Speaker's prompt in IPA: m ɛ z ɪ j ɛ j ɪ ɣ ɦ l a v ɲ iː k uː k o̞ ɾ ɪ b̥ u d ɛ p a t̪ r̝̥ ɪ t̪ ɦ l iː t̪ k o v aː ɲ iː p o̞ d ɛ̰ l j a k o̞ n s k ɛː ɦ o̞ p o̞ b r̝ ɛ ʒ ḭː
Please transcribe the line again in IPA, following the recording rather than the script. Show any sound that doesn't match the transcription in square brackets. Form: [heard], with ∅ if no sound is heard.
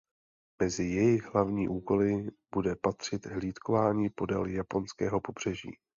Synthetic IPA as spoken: m ɛ z ɪ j ɛ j ɪ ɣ ɦ l a v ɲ iː [ʔ] uː k o̞ [l] ɪ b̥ u d ɛ p a t̪ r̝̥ ɪ t̪ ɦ l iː t̪ k o v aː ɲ iː p o̞ d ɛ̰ l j a [p] o̞ n s k ɛː ɦ o̞ p o̞ b r̝ ɛ ʒ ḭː